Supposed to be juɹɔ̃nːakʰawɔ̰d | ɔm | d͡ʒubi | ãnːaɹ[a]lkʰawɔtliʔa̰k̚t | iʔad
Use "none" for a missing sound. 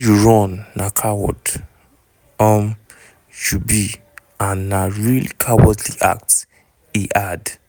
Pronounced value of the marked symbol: i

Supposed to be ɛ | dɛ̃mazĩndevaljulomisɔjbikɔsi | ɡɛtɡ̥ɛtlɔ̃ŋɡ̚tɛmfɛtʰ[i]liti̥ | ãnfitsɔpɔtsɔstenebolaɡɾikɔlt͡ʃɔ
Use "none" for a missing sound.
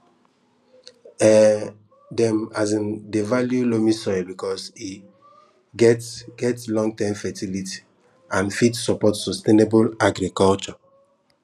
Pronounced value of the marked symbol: i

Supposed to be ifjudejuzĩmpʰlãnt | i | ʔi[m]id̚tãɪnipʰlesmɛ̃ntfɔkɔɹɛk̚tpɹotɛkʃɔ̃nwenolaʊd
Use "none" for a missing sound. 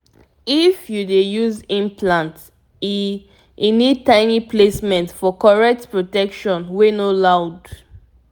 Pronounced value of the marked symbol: n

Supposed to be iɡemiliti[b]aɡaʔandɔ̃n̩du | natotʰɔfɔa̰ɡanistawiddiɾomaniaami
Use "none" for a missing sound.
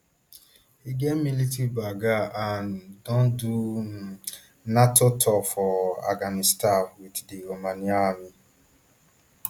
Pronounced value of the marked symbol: b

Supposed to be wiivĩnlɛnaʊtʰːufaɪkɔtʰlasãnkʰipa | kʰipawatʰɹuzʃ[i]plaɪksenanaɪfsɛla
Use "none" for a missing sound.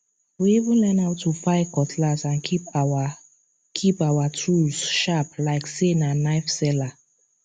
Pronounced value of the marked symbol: a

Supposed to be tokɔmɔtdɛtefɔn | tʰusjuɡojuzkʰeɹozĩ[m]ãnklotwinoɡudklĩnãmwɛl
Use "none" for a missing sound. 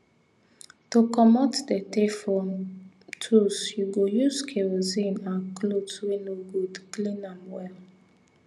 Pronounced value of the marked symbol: n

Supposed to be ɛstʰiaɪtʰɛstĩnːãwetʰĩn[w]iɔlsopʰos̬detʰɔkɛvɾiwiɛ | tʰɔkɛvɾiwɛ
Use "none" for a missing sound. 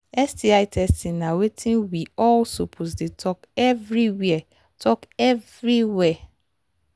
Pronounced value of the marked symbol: w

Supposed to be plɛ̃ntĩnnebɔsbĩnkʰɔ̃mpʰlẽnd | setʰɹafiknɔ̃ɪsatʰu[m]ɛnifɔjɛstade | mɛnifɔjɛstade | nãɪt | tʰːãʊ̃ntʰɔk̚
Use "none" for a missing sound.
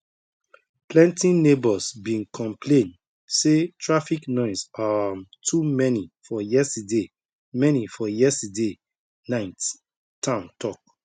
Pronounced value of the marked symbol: m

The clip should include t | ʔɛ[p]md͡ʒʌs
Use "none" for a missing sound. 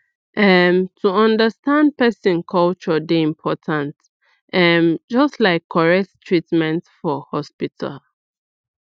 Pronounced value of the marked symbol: none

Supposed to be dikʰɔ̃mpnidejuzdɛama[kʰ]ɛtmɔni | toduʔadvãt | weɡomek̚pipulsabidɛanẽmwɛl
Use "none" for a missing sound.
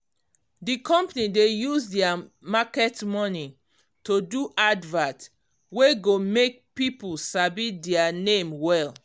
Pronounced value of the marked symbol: k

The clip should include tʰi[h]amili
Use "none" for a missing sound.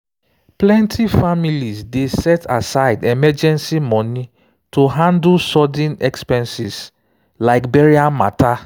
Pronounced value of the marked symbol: f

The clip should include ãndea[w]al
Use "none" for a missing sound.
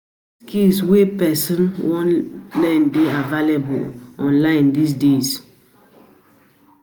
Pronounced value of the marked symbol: v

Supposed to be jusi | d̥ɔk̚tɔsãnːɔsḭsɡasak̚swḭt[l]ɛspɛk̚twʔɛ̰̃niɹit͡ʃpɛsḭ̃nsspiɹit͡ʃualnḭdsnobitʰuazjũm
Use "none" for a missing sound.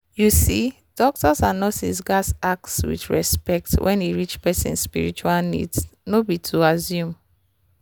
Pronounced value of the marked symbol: ɹ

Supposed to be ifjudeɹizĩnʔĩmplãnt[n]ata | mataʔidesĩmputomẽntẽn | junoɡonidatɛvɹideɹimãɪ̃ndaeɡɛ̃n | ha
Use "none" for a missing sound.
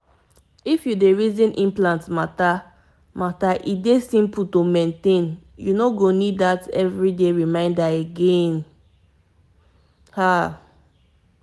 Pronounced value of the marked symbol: m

